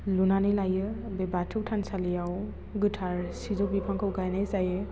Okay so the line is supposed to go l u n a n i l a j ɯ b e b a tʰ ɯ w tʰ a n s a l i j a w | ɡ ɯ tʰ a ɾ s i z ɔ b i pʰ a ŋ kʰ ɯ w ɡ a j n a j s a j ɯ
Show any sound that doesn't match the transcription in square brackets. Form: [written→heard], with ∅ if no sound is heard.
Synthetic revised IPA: l u n a n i l a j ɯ b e b a tʰ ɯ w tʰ a n s a l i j a w | ɡ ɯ tʰ a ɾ s i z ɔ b i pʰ a ŋ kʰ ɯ w ɡ a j n a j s a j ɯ